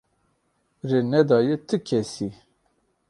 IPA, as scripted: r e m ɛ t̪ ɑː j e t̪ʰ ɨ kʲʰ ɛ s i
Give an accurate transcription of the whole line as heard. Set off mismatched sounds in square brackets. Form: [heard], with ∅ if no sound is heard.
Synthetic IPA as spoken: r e [n] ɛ [d̪] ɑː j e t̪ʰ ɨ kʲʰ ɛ s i